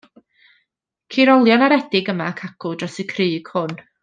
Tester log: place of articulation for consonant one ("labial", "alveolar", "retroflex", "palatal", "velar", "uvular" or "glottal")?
velar